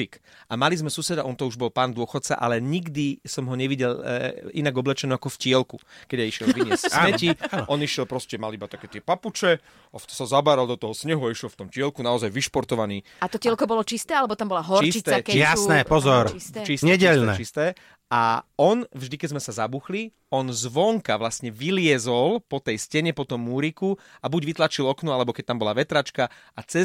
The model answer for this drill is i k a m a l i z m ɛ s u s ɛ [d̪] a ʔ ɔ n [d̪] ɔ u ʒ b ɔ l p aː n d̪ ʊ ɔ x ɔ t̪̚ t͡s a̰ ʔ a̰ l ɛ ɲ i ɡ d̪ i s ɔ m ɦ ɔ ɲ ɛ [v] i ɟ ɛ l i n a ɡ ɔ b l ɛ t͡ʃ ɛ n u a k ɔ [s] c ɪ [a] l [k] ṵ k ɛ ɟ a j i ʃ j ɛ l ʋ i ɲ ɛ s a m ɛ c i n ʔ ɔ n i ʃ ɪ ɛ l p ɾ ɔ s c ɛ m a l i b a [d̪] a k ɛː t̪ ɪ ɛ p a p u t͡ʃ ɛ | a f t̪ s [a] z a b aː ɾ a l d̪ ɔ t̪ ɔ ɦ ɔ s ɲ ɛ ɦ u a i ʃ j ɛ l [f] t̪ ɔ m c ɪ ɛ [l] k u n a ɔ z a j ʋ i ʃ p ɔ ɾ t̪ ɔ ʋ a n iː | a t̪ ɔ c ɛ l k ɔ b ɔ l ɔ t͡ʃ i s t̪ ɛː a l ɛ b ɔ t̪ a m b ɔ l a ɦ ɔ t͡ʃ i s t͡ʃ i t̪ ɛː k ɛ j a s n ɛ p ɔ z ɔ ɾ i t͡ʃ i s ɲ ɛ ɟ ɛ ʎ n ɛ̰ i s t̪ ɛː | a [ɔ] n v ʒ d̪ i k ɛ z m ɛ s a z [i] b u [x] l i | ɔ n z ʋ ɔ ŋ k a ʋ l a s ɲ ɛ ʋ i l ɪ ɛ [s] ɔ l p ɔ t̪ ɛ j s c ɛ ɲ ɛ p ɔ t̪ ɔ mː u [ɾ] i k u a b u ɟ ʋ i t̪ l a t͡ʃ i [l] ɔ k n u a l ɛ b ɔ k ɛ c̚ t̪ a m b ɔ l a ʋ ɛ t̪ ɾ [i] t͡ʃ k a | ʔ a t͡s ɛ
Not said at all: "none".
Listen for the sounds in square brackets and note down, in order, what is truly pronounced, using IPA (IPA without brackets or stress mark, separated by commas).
d̪, t̪, ʋ, f, ɛ, k, t̪, a, f, l, ɔ, a, x, z, ɾ, l, a